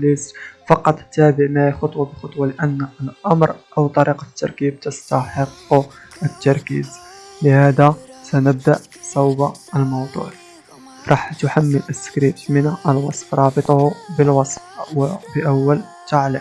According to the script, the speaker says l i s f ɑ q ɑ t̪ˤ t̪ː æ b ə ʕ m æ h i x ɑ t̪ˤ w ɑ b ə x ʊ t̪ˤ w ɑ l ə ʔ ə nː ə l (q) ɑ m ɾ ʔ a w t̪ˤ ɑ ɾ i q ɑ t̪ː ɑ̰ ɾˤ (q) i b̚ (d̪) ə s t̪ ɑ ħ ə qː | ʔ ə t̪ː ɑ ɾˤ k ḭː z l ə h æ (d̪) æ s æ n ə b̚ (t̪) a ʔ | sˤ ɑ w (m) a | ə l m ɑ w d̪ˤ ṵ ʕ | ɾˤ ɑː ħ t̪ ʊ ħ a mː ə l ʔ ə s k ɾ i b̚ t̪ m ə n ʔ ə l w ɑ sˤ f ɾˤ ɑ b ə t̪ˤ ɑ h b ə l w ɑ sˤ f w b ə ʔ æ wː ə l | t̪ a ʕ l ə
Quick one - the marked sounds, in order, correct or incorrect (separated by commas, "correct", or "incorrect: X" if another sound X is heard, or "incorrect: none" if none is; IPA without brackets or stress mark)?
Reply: incorrect: ʔ, incorrect: k, incorrect: t̪, correct, incorrect: d̪, incorrect: b